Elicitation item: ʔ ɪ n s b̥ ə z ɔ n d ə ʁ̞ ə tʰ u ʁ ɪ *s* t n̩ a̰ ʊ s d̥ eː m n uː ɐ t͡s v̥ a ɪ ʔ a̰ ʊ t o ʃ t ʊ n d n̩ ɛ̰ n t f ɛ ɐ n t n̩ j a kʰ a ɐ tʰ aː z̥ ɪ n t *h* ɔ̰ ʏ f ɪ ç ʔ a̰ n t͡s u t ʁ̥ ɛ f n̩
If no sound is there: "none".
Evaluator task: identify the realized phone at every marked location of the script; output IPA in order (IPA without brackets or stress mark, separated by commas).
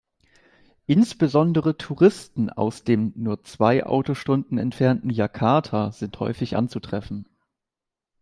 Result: s, h